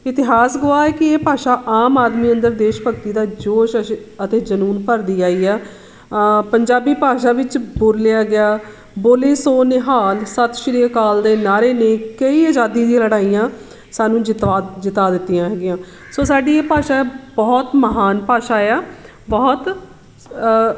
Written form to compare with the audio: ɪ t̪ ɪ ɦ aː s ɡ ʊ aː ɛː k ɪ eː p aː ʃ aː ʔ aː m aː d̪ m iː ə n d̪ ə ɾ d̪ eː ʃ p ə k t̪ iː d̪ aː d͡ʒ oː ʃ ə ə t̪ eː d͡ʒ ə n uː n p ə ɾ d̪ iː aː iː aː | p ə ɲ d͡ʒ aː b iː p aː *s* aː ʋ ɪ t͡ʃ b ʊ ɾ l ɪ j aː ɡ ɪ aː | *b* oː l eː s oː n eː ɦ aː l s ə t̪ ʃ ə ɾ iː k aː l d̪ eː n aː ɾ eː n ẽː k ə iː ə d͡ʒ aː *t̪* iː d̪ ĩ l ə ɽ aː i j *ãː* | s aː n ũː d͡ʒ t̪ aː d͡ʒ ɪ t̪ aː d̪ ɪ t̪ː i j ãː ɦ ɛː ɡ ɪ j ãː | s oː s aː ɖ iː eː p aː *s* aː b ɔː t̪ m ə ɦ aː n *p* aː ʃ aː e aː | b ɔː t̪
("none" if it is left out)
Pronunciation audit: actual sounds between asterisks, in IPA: ʃ, b, d̪, ãː, ʃ, p

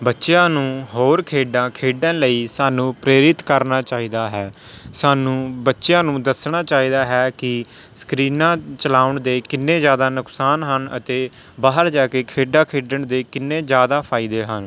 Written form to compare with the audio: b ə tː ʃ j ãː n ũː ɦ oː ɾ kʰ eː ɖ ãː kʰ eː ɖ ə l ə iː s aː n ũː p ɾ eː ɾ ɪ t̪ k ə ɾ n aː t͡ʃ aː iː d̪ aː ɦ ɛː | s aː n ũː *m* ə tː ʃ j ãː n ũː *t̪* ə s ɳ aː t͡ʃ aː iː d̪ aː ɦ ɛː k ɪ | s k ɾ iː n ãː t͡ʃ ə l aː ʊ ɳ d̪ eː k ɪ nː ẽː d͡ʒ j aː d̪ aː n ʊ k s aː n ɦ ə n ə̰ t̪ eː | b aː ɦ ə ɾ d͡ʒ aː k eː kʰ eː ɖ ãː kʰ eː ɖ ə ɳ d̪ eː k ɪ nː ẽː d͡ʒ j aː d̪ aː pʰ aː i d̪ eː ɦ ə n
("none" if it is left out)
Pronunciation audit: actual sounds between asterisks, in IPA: b, d̪

